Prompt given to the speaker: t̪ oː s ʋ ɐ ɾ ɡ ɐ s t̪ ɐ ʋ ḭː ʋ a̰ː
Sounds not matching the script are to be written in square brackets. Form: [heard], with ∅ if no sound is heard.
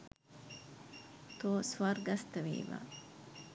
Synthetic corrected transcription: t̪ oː s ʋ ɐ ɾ ɡ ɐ s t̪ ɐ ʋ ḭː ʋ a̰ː